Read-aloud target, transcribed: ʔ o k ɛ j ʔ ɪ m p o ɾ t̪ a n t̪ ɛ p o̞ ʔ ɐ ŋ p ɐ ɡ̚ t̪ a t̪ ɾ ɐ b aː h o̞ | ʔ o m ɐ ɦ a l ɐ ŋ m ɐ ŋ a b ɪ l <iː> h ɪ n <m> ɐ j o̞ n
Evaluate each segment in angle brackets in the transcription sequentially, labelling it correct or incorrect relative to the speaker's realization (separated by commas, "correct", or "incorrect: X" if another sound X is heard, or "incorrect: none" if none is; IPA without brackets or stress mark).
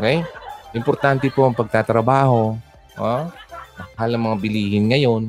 correct, incorrect: ŋ